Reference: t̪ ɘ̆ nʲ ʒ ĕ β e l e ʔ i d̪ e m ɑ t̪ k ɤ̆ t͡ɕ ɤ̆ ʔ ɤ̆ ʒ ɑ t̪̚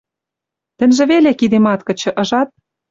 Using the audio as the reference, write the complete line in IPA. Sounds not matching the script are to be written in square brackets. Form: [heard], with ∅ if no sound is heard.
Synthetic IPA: t̪ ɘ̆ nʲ ʒ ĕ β e l e [k] i d̪ e m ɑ t̪ k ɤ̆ t͡ɕ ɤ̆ ʔ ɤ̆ ʒ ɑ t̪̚